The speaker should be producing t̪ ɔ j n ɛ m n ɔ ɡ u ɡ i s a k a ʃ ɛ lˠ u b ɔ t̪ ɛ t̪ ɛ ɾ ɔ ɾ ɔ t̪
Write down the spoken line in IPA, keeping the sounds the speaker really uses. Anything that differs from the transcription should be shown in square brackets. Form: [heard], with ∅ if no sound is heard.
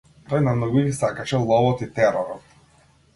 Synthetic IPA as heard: t̪ ɔ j n [a] m n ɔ ɡ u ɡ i s a k a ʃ ɛ lˠ [ɔ] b ɔ t̪ [i] t̪ ɛ ɾ ɔ ɾ ɔ t̪